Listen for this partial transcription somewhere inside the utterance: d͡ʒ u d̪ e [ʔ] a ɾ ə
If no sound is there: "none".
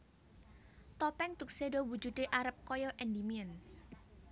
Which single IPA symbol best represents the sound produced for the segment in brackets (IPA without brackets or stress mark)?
ʔ